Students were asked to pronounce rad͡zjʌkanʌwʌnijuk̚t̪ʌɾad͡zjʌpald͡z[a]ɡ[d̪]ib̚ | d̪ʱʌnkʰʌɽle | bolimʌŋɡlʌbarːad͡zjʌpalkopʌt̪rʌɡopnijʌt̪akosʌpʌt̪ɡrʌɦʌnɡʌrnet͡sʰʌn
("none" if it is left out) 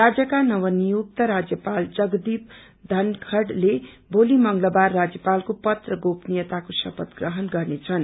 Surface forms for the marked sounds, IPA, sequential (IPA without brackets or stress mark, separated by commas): ʌ, d̪